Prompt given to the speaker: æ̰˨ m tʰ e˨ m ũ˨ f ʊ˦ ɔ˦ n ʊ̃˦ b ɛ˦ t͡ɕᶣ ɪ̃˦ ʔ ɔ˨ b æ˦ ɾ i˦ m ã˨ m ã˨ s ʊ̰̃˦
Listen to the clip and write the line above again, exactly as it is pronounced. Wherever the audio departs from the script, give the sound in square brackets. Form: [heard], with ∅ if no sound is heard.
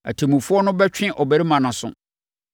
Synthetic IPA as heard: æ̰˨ [∅] tʰ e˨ m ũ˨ f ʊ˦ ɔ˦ n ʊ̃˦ b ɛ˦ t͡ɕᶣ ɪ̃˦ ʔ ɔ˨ b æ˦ ɾ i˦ m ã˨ [n] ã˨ s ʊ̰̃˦